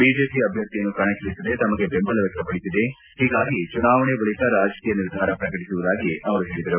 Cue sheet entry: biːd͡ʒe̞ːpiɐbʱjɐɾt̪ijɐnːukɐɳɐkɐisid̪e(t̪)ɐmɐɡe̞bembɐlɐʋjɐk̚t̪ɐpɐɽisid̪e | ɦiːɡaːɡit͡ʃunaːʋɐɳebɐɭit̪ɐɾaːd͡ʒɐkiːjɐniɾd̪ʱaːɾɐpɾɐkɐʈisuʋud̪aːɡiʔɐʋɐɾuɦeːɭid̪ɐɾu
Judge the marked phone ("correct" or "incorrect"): correct